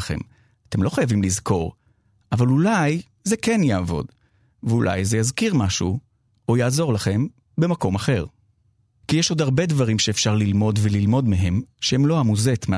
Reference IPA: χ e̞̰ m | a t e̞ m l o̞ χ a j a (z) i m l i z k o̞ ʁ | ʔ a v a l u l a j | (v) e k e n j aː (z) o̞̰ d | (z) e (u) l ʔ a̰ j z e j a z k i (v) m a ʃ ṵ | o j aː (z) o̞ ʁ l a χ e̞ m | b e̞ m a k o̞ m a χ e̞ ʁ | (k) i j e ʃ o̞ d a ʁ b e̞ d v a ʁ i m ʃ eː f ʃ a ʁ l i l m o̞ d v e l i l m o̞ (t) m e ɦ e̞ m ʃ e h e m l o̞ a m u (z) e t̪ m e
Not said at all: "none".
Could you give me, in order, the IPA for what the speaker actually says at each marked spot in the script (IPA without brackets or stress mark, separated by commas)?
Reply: v, z, v, v, u, ʁ, z, k, d, z